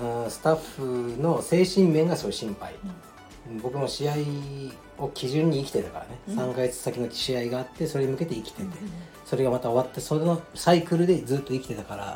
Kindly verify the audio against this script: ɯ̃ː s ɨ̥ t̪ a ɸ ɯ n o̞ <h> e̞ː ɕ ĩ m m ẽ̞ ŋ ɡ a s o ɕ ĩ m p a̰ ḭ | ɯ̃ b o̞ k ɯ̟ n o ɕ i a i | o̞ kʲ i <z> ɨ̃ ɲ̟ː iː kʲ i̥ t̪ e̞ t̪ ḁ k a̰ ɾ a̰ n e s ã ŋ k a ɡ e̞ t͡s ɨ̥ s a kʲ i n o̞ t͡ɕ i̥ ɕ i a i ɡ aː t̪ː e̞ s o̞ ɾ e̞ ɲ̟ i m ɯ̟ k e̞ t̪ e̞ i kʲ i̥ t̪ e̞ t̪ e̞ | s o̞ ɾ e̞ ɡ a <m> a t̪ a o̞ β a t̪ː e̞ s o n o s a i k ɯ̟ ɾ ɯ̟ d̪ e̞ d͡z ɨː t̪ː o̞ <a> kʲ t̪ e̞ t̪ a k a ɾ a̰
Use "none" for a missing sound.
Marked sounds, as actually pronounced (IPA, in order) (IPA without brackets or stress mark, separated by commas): s, ʑ, m, i